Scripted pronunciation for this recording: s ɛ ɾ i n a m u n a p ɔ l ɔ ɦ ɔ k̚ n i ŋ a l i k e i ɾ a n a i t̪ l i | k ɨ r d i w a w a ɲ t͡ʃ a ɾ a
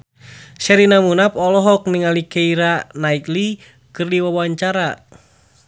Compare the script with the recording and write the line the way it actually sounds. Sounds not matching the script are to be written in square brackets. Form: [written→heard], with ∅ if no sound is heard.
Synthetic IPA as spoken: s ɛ ɾ i n a m u n a p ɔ l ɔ ɦ ɔ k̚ n i ŋ a l i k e i ɾ a n a i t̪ l i | k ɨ r d i w a w a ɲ t͡ʃ a ɾ a

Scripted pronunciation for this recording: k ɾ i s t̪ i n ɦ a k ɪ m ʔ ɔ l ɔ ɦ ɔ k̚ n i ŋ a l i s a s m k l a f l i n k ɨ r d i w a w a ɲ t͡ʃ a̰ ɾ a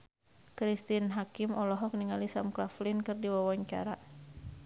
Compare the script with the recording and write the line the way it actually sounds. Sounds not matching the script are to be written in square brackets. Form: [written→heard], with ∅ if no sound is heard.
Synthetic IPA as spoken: k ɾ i s t̪ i n ɦ a k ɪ m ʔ ɔ l ɔ ɦ ɔ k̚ n i ŋ a l i s a [s→∅] m k l a f l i n k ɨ r d i w a w a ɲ t͡ʃ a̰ ɾ a

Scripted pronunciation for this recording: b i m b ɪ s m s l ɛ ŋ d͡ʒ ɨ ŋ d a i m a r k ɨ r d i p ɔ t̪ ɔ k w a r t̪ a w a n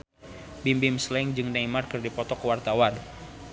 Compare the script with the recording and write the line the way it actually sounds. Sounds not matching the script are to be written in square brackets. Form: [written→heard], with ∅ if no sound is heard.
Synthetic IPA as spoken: b i m b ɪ [s→∅] m s l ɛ ŋ d͡ʒ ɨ ŋ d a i m a r k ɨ r d i p ɔ t̪ ɔ k w a r t̪ a w a n

